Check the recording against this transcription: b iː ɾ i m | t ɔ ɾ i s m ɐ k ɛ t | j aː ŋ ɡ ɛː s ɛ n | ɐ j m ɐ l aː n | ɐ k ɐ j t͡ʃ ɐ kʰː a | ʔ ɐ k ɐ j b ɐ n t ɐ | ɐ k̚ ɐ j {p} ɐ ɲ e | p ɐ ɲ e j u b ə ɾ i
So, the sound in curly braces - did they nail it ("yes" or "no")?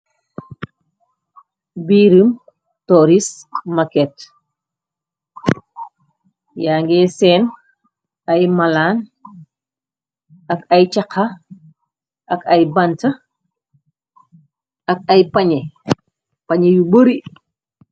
yes